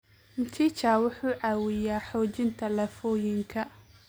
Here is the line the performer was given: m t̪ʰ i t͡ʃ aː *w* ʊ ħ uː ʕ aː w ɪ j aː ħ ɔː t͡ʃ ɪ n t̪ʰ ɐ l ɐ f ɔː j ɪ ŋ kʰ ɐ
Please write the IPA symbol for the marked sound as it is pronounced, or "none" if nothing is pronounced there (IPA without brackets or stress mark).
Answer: w